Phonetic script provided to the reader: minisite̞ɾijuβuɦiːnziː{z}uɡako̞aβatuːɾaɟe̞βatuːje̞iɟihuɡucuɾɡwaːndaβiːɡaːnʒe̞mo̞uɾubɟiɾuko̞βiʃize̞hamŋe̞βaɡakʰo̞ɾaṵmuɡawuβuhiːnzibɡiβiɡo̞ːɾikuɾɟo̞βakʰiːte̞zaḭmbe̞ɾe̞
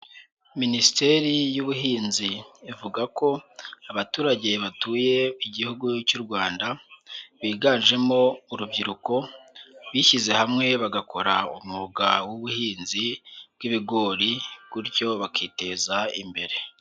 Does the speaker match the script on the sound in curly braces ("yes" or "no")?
no